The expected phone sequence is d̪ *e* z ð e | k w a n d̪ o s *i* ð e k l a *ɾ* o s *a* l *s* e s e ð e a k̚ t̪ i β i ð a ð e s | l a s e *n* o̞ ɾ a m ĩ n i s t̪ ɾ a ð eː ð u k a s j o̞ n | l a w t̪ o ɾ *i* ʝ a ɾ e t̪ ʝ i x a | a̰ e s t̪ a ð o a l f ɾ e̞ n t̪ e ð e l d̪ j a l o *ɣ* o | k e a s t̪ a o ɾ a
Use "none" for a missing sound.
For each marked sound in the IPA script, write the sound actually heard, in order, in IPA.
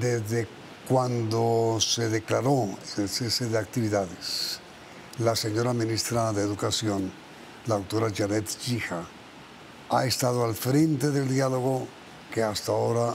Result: e, e, ɾ, e, s, ɲ, a, ɣ

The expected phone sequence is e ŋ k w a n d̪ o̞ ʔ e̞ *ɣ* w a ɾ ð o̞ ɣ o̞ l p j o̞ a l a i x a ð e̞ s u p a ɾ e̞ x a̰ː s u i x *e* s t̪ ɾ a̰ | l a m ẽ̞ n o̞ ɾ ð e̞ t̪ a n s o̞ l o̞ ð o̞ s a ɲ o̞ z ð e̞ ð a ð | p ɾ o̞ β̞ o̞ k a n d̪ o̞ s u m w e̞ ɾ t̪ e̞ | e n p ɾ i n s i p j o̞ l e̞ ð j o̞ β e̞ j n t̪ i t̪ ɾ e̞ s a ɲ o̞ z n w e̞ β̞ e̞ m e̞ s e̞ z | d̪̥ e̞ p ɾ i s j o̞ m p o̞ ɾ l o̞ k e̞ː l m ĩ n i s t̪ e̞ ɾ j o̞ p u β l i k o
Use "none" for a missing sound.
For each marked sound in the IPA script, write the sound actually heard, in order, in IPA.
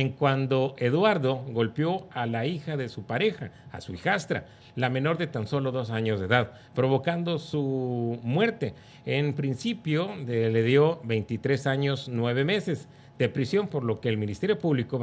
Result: ð, a

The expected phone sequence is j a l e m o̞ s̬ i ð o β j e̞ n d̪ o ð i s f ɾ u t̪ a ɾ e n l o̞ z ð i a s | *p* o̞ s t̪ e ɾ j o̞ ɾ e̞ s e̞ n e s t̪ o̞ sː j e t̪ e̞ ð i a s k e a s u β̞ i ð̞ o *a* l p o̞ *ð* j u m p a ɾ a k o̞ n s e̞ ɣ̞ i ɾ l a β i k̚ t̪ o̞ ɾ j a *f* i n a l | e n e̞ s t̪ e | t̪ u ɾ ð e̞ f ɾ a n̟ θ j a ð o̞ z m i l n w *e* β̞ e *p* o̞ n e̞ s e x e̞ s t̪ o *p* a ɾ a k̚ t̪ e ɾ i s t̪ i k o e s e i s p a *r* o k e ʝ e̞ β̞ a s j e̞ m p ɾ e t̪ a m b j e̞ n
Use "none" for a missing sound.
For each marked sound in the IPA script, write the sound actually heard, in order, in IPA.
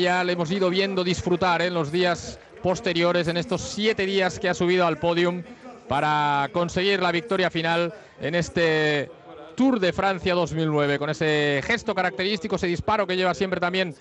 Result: p, a, ð, f, e, k, k, ɾ

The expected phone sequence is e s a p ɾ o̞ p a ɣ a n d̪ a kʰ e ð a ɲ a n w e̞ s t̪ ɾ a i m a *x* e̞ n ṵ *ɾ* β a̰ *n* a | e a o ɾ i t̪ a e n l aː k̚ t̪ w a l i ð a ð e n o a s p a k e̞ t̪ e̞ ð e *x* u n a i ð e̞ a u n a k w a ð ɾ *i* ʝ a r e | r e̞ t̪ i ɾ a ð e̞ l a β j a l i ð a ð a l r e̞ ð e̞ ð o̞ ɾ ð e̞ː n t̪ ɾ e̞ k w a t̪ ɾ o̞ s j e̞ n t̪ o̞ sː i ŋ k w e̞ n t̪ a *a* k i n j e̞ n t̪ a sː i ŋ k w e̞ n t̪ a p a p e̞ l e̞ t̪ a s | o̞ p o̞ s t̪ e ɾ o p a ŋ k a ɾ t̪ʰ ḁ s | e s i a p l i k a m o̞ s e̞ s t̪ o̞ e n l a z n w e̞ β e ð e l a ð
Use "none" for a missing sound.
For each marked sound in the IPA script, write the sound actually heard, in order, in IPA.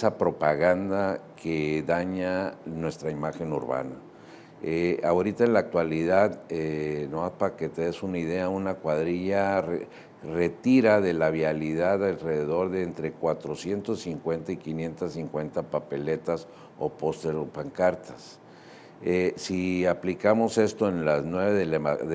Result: x, ɾ, n, s, i, i

